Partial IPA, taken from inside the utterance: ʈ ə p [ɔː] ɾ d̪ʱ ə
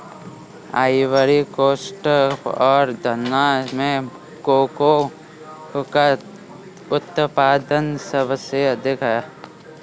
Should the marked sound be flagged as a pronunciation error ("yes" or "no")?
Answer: no